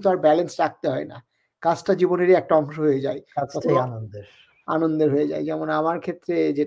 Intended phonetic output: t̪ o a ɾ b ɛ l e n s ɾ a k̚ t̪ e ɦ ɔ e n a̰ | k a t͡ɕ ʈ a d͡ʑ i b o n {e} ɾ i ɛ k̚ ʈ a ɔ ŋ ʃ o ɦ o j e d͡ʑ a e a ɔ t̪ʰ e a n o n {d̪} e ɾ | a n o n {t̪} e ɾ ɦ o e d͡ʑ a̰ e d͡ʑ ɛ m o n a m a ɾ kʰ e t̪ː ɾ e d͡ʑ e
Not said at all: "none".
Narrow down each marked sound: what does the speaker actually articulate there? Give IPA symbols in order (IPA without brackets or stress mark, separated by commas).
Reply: e, d̪, d̪